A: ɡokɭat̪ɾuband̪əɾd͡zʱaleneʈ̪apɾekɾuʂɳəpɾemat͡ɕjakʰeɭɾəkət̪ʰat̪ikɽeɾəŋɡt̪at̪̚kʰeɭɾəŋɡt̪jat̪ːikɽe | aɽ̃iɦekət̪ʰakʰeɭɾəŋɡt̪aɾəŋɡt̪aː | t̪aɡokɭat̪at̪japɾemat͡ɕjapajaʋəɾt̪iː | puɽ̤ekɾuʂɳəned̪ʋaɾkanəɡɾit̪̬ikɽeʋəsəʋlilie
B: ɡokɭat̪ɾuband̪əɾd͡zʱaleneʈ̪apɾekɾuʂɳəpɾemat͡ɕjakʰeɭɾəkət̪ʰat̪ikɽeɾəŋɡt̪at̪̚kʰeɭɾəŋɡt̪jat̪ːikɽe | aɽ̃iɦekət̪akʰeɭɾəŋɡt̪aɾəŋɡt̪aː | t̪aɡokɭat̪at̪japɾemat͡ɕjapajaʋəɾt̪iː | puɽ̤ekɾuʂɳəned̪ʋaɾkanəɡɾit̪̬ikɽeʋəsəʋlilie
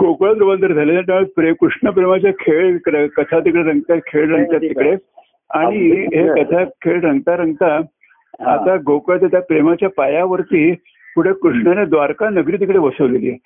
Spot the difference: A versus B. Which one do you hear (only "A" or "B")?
A